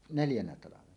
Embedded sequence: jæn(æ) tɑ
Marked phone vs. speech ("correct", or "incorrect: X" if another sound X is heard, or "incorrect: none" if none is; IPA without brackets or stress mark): correct